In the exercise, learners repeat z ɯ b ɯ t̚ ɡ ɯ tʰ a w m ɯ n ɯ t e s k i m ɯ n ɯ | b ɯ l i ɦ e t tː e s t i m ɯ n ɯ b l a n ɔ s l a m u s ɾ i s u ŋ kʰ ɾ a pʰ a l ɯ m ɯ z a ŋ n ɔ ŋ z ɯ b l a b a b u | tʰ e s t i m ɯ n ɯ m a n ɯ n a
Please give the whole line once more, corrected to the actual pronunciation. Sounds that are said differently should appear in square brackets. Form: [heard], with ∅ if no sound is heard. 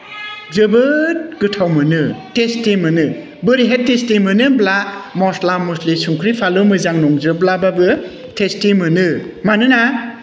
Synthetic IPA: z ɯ b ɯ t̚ ɡ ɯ tʰ a w m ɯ n ɯ t e s [t] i m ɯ n ɯ | b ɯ [ɾ] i ɦ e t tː e s t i m ɯ n ɯ b l a [m] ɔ s l a m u s [l] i s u ŋ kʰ ɾ [i] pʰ a l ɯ m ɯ z a ŋ n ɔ ŋ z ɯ b l a b a b [ɯ] | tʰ e s t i m ɯ n ɯ m a n ɯ n a